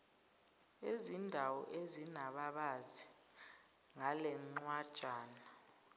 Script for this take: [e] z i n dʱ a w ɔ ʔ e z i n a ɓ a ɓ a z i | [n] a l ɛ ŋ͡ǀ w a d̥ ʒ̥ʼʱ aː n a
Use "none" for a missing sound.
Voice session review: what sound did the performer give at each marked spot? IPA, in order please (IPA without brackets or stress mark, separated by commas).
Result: e, ŋ